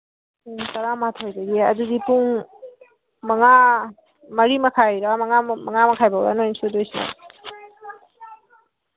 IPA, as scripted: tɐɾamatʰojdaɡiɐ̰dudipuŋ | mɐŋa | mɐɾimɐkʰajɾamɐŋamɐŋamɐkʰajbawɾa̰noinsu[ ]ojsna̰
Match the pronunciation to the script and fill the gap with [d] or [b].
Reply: d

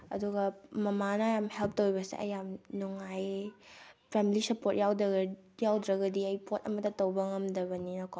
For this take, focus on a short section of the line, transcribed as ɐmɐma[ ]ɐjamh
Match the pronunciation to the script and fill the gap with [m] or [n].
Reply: n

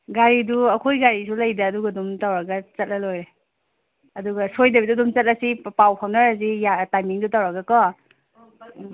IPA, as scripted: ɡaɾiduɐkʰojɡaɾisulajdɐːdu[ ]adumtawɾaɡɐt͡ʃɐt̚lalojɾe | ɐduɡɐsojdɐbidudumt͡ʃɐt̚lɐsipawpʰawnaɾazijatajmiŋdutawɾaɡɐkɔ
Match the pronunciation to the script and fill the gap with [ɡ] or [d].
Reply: ɡ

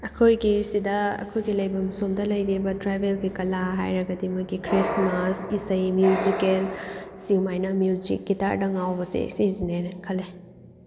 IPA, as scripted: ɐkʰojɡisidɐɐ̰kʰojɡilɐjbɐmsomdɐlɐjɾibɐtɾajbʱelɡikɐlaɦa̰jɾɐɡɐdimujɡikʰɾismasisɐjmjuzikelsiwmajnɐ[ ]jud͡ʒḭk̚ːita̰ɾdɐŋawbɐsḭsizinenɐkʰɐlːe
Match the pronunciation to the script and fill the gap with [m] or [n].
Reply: m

